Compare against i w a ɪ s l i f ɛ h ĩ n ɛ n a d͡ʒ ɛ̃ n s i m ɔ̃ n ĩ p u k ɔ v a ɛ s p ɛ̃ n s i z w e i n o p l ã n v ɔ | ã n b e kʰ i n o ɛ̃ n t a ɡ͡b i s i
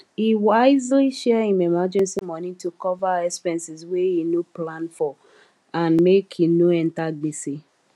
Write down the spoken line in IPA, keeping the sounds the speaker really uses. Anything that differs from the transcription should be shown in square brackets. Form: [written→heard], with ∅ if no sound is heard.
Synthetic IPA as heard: i w a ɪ [s→z] l i [f→ʃ] ɛ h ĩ [n→m] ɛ [n→m] a d͡ʒ ɛ̃ n s i m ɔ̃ n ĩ [p→t] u k ɔ v a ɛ s p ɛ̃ n s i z w e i n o p l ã n [v→f] ɔ | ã n [b→m] e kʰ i n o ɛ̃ n t a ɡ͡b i s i

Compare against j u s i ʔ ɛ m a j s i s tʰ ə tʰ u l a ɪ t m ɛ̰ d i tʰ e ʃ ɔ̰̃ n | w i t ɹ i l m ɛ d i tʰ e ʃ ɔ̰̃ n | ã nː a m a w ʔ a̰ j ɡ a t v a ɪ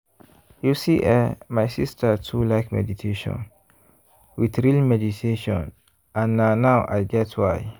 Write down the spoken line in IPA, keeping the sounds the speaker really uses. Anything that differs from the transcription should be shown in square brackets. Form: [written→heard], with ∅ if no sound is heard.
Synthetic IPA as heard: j u s i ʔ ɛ m a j s i s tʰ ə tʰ u l a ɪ [t→k] m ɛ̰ d i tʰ e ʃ ɔ̰̃ n | w i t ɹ i l m ɛ d i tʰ e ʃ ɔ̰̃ n | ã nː a [m→n] a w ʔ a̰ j ɡ [a→ɛ] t [v→w] a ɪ

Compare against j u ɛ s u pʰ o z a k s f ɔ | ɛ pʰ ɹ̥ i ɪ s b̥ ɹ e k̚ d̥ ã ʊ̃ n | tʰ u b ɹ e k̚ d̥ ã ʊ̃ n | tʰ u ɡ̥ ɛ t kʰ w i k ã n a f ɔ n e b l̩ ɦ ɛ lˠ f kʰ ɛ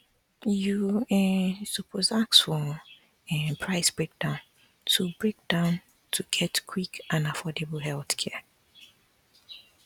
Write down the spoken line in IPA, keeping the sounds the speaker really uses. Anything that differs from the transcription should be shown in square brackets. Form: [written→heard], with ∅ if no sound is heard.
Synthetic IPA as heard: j u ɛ s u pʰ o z a k s f ɔ | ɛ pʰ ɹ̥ [i→a] ɪ s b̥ ɹ e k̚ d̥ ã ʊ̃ n | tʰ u b ɹ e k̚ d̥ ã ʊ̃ n | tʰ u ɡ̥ ɛ t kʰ w i k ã n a f ɔ [n→d] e b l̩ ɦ ɛ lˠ [f→θ] kʰ ɛ

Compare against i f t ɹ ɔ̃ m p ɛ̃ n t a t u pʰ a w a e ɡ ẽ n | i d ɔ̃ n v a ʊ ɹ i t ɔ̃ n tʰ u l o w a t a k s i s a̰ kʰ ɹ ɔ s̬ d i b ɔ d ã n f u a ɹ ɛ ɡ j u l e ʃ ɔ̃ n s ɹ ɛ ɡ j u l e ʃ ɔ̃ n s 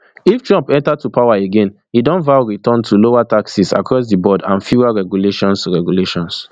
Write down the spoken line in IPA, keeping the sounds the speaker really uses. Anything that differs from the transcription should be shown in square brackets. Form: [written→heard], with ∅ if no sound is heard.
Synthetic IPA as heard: i f t ɹ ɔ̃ m p ɛ̃ n t a t u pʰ a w a e ɡ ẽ n | i d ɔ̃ n v a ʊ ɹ i t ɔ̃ n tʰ u l o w a t a k s i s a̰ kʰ ɹ ɔ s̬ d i b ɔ d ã n f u a ɹ ɛ ɡ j u l e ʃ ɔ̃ n s ɹ ɛ ɡ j u l e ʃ ɔ̃ n s

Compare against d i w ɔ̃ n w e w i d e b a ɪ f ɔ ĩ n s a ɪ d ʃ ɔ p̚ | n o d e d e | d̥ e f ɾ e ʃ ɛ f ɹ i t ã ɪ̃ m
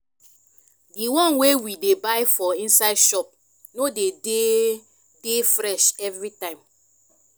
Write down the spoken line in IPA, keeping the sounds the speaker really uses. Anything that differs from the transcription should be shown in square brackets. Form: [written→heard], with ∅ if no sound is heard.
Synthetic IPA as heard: d i w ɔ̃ n w e w i d e b a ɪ f ɔ ĩ n s a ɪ d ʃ ɔ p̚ | n o d e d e | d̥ e f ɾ [e→ɛ] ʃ ɛ [f→v] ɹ i t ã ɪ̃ m

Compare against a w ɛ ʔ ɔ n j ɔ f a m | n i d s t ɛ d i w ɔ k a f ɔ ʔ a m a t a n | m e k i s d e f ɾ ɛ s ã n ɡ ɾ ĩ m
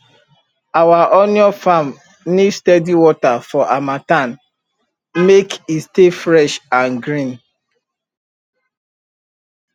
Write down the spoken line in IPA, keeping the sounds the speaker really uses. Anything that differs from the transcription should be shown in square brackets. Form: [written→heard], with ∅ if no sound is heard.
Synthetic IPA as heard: a w [ɛ→a] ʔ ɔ n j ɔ f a m | n i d s t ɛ d i w ɔ [k→t] a f ɔ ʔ a m a t a n | m e k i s [d→t] e f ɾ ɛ [s→ʃ] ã n ɡ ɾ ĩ [m→n]

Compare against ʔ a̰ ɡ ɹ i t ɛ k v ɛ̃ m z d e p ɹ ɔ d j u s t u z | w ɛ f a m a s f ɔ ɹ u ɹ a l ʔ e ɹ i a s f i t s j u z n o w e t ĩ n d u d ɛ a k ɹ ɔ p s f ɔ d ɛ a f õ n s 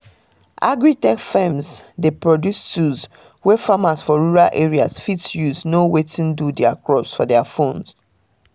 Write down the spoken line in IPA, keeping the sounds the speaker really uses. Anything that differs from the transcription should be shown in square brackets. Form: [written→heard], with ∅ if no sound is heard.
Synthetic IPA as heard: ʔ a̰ ɡ ɹ i t ɛ k [v→f] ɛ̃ m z d e p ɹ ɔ d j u s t u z | w ɛ f a m a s f ɔ ɹ u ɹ a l ʔ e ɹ i a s f i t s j u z n o w e t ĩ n d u d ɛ a k ɹ ɔ p s f ɔ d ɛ a f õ n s

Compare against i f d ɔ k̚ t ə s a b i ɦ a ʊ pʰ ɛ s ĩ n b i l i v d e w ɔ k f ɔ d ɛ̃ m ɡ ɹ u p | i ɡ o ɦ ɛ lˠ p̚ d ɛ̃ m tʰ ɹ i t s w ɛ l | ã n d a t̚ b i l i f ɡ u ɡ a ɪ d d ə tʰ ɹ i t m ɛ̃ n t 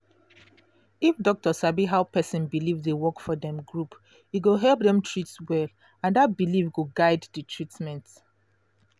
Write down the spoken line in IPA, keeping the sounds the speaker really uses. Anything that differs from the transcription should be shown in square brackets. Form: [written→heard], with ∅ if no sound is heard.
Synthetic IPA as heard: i f d ɔ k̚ t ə s a b i ɦ a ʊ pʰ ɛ s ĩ n b i l i v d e w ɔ k f ɔ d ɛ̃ m ɡ ɹ u p | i ɡ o ɦ ɛ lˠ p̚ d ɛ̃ m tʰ ɹ i t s w ɛ l | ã n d a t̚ b i l i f ɡ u ɡ a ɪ d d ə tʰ ɹ i t m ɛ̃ n t

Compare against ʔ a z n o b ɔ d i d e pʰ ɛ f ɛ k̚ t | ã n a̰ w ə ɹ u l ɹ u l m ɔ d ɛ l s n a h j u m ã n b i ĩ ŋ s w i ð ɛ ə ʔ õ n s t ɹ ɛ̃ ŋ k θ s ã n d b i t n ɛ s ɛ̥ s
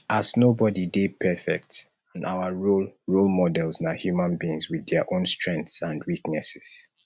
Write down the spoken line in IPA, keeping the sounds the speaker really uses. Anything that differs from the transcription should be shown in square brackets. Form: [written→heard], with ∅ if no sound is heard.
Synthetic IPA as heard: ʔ a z n o b ɔ d i d e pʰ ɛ f ɛ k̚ t | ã n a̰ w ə ɹ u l ɹ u l m ɔ d ɛ l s n a h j u m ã n b i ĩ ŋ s w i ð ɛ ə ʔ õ n s t ɹ ɛ̃ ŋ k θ s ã n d [b→w] i [t→k] n ɛ s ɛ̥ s

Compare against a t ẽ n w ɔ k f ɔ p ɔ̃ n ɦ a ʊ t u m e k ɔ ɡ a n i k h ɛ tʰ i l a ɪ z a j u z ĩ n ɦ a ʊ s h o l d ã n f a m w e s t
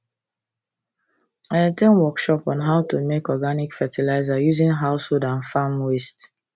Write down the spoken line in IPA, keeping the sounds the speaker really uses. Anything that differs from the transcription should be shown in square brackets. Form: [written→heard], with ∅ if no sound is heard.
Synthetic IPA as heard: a t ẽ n w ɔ k [f→ʃ] ɔ p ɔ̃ n ɦ a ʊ t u m e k ɔ ɡ a n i k [h→f] ɛ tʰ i l a ɪ z a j u z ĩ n ɦ a ʊ s h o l d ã n f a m w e s t

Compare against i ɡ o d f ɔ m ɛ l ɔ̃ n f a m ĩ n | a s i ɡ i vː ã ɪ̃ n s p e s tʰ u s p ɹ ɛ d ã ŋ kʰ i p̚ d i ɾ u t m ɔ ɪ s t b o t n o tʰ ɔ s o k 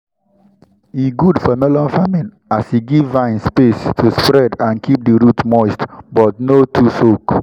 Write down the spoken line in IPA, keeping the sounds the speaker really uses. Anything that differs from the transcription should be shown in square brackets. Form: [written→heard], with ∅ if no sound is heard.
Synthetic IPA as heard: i ɡ [o→u] d f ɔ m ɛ l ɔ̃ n f a m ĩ n | a s i ɡ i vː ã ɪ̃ n s p e s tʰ u s p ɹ ɛ d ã [ŋ→n] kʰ i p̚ d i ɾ u t m ɔ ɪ s t b [o→ɔ] t n o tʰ [ɔ→u] s o k

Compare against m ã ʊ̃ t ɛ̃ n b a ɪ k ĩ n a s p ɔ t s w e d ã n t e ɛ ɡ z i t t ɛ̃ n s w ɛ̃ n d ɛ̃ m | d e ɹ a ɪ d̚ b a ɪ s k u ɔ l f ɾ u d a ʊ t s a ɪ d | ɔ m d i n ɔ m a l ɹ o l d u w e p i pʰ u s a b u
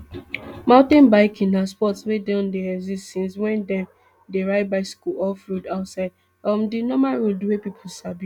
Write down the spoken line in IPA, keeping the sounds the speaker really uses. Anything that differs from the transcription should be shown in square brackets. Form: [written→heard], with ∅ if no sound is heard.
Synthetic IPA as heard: m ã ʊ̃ t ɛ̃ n b a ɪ k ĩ n a s p ɔ t s w e d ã n [t→d] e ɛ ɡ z i [t→s] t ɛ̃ n s w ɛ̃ n d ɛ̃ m | d e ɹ a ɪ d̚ b a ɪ s k u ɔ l f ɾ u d a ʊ t s a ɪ d | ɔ m d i n ɔ m a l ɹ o l d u w e p i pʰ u s a b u

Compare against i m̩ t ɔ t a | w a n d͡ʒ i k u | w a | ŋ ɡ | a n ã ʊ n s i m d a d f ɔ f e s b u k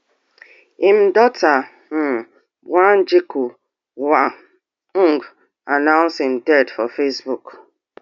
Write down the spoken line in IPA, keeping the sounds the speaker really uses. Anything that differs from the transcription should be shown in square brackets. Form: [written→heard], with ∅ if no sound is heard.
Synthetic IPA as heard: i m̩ [t→d] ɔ t a | w a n d͡ʒ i k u | w a | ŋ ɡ | a n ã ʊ n s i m d [a→ɛ] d f ɔ f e s b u k

